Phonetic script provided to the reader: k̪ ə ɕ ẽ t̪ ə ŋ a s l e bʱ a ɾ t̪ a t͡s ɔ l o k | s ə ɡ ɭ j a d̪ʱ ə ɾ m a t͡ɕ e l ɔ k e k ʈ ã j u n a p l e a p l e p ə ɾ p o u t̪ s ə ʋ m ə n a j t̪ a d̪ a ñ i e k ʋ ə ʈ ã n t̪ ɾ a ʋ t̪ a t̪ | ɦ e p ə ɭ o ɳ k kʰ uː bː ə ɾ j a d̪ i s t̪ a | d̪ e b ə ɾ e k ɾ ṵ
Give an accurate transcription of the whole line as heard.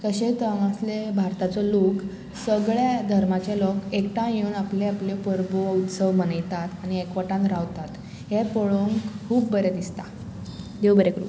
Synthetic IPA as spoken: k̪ ə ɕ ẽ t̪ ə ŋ a s l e bʱ a ɾ t̪ a t͡s ɔ l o k | s ə ɡ ɭ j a d̪ʱ ə ɾ m a t͡ɕ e l ɔ k e k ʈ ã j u n a p l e a p l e p ə ɾ b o u t̪ s ə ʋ m ə n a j t̪ a t̪ a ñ i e k ʋ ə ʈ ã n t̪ ɾ a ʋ t̪ a t̪ | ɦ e p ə ɭ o ŋ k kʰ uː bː ə ɾ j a d̪ i s t̪ a | d̪ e b ə ɾ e k ɾ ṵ

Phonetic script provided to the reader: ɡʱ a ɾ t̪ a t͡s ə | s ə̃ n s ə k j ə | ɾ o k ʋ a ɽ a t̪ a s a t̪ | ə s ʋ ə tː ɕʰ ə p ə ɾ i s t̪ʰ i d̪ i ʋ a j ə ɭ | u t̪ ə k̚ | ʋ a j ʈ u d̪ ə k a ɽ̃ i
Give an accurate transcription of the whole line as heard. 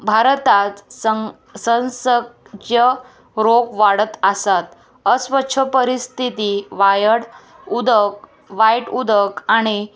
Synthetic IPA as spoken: bʱ a ɾ t̪ a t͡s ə | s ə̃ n s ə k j ə | ɾ o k ʋ a ɽ ə t̪ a s a t̪ | ə s ʋ ə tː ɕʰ ə p ə ɾ i s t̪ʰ i t̪ i ʋ a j ə ɽ | u d̪ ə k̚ | ʋ a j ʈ u d̪ ə k a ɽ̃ i

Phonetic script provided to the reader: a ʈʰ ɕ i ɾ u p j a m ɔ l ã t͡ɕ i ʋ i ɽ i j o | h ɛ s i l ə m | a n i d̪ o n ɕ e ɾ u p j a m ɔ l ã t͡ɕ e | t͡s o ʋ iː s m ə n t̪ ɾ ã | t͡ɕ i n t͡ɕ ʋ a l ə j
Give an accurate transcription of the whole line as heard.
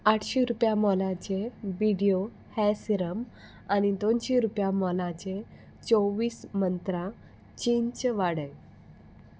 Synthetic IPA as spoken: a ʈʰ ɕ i ɾ u p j a m ɔ l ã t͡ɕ e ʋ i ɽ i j o | h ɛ s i ɾ ə m | a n i d̪ o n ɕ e ɾ u p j a m ɔ l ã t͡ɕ e | t͡s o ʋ iː s m ə n t̪ ɾ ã | t͡ɕ i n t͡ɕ ʋ a ɽ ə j

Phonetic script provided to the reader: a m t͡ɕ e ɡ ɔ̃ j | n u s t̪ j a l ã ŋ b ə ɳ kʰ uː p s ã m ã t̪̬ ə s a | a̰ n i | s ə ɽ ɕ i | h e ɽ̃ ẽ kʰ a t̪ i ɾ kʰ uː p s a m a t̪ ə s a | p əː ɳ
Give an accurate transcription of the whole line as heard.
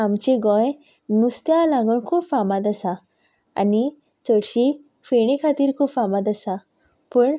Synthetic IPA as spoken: a m t͡ɕ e ɡ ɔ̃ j | n u s t̪ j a l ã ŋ ɡ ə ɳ kʰ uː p f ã m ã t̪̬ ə s a | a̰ n i | t͡s ə ɽ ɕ i | f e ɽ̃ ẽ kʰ a t̪ iː ɾ kʰ uː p f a m a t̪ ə s a | p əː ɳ

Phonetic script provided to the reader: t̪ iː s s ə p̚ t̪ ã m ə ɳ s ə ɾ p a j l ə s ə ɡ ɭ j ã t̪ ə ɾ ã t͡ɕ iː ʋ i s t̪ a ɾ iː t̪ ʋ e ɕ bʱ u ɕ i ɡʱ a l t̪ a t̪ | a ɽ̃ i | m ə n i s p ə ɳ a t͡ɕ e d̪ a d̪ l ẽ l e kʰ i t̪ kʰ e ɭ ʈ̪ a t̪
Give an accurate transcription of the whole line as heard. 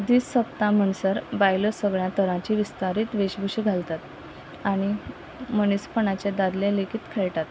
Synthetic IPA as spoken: d̪ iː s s ə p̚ t̪ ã m ə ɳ s ə ɾ b a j l ə s ə ɡ ɭ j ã t̪ ə ɾ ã t͡ɕ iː ʋ i s t̪ a ɾ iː t̪ ʋ e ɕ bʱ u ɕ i ɡʱ a l t̪ a t̪ | a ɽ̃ i | m ə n i s p ə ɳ a t͡ɕ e d̪ a d̪ l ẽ l e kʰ i t̪ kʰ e ɭ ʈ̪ a t̪

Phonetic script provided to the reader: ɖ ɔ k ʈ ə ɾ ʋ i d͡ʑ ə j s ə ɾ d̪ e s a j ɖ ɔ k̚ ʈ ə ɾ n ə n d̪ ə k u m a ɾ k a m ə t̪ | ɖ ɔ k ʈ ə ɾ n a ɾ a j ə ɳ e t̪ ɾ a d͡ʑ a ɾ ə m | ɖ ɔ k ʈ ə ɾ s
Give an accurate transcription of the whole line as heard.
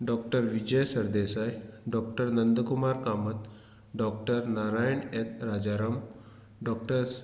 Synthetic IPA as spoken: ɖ ɔ k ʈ ə ɾ ʋ i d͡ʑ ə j s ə ɾ d̪ e s a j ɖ ɔ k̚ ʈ ə ɾ n ə n d̪ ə k u m a ɾ k a m ə t̪ | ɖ ɔ k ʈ ə ɾ n a ɾ a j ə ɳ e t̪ ɾ a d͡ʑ a ɾ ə m | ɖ ɔ k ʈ ə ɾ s

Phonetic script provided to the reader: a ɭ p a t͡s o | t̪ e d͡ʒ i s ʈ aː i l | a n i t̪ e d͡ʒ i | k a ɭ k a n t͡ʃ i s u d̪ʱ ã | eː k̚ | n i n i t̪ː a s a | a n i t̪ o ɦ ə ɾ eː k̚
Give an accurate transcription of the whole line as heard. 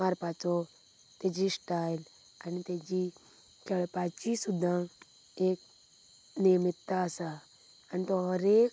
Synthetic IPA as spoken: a ɾ p a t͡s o | t̪ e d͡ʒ i s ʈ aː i l | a n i t̪ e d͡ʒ i | k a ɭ p a t͡ʃ i s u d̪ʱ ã | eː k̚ | n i m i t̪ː a s a | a n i t̪ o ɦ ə ɾ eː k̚

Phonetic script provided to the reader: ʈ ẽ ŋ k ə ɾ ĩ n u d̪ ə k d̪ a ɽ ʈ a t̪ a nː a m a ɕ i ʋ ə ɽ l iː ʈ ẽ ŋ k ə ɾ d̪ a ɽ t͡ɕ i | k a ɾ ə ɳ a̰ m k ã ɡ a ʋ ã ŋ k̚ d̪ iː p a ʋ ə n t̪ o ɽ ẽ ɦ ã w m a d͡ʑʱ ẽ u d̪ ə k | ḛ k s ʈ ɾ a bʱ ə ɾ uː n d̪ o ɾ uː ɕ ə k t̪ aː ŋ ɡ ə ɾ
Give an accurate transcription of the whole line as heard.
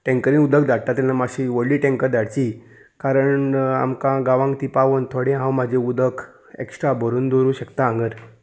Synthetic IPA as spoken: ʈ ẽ ŋ k ə ɾ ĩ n u d̪ ə k d̪ a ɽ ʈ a t̪ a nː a m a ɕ i ʋ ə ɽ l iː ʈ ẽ ŋ k ə ɾ d̪ a ɽ t͡ɕ i | k a ɾ ə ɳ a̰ m k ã ɡ a ʋ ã ŋ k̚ t̪ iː p a ʋ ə n t̪ʰ o ɽ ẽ ɦ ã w m a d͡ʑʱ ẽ u d̪ ə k | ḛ k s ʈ ɾ a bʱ ə ɾ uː n d̪ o ɾ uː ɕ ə k t̪ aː ŋ ɡ ə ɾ

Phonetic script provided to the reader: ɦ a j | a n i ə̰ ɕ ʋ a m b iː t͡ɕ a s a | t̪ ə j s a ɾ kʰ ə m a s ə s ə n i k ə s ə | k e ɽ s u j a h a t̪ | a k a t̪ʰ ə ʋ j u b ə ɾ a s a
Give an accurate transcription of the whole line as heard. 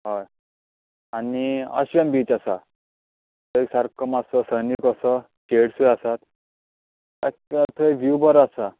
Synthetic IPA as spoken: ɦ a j | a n i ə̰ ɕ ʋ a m b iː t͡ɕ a s a | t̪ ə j s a ɾ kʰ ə m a s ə s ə n i k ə s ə | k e ɽ s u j a s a t̪ | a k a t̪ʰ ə ʋ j u b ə ɾ a s a

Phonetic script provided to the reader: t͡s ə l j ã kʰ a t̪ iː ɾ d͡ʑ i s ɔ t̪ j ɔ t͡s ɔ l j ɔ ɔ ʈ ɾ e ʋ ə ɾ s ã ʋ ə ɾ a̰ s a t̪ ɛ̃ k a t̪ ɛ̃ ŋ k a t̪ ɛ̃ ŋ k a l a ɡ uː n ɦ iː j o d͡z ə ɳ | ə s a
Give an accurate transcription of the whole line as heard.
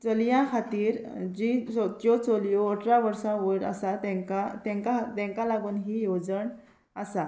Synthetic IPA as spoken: t͡s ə l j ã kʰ a t̪ iː ɾ d͡ʑ i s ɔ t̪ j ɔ t͡s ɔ l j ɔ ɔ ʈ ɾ a ʋ ə ɾ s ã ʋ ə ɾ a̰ s a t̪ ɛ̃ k a t̪ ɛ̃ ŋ k a t̪ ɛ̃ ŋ k a l a ɡ uː n ɦ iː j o d͡z ə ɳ | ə s a

